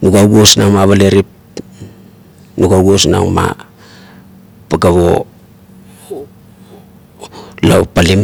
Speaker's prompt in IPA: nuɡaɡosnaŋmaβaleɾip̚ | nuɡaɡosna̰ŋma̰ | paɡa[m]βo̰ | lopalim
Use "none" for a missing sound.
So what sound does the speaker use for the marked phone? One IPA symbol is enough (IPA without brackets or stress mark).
none